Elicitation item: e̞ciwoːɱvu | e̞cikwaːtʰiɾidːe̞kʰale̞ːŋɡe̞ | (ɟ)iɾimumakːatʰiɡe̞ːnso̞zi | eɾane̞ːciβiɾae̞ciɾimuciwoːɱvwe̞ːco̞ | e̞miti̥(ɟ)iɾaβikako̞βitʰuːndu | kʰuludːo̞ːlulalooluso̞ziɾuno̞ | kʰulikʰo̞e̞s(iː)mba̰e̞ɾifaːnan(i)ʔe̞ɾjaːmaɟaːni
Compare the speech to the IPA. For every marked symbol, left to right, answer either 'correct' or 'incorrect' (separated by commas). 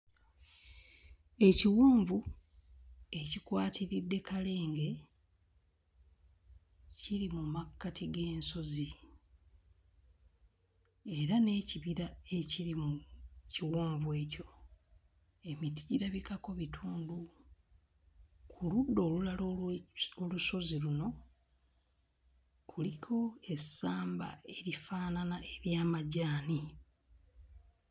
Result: incorrect, correct, incorrect, incorrect